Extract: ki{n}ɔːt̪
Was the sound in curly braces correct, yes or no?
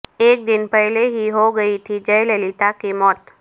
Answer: no